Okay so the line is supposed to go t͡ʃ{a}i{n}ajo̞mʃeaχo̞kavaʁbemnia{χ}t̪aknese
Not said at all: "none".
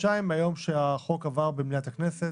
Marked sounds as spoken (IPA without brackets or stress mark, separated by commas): a, m, none